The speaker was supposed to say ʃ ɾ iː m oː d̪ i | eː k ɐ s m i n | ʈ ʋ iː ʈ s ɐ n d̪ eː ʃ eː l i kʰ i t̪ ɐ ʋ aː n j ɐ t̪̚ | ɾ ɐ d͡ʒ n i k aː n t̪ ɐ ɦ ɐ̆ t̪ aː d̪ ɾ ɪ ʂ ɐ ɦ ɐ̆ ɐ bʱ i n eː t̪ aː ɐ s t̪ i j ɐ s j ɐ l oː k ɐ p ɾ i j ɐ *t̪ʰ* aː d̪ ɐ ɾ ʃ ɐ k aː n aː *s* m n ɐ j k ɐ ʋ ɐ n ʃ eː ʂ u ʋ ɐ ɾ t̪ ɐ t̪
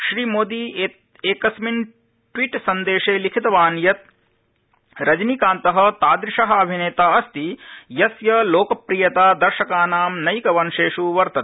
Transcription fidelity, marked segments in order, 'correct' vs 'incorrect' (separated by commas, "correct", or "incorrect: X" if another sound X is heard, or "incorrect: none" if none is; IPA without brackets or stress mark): incorrect: t̪, incorrect: none